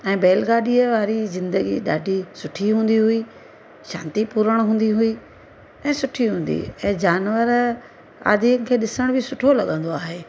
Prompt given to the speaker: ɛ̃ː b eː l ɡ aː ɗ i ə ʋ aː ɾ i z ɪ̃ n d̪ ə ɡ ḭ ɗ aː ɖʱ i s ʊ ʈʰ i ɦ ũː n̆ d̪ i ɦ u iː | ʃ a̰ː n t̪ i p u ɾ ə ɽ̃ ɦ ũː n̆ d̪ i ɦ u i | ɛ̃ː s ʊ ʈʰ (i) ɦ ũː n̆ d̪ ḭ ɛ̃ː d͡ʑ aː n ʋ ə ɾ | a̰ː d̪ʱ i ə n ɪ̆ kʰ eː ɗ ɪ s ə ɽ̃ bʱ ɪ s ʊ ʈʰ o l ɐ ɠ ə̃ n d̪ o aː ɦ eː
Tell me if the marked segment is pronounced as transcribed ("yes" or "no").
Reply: yes